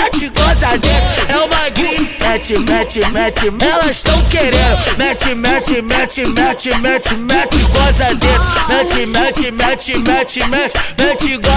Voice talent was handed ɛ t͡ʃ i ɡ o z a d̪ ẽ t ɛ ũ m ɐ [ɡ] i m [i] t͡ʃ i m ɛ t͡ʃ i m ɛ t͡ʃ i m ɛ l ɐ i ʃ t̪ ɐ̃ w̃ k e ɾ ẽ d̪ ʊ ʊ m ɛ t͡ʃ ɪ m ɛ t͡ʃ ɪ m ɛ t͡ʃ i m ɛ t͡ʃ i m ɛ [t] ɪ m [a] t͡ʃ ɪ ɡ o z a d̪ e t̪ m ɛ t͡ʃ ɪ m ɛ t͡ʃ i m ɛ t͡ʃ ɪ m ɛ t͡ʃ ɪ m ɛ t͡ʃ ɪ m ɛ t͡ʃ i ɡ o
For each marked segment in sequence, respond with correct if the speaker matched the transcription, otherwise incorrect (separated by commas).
correct, incorrect, incorrect, incorrect